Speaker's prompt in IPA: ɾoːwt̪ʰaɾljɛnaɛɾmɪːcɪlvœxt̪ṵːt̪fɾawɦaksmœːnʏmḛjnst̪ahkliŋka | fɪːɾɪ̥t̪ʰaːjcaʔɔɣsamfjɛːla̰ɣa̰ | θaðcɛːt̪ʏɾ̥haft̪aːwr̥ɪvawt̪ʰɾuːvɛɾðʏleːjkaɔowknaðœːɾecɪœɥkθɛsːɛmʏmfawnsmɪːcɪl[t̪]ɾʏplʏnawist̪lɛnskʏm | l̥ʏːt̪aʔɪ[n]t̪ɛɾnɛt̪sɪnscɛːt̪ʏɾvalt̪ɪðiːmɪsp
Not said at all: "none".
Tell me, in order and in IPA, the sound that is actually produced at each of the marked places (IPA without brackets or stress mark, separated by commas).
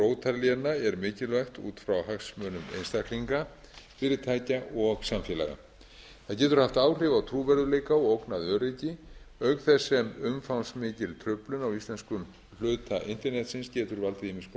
t̪ʰ, n